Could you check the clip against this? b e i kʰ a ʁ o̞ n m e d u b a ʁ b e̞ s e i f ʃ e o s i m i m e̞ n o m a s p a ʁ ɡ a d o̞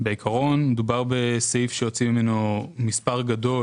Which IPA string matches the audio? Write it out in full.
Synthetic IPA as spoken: b e i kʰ a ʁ o̞ n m e d u b a ʁ b e̞ s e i f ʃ e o t͡s i m i m e̞ n o m i s p a ʁ ɡ a d o̞